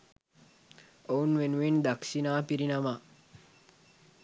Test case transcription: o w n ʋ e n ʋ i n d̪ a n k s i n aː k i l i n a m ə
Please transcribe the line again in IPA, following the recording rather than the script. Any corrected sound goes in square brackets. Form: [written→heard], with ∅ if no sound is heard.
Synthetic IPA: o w n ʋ e n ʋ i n d̪ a [n→∅] k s i n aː [k→p] i [l→ɾ] i n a m [ə→a]